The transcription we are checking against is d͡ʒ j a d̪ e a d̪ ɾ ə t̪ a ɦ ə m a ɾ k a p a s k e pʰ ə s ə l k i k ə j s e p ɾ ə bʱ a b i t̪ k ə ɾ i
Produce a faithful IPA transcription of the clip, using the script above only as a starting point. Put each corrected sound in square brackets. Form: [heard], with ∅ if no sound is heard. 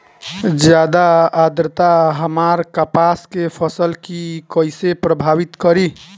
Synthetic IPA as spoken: d͡ʒ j a d̪ [a] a d̪ ɾ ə t̪ a ɦ ə m a ɾ k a p a s k e pʰ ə s ə l k i k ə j s e p ɾ ə bʱ a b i t̪ k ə ɾ i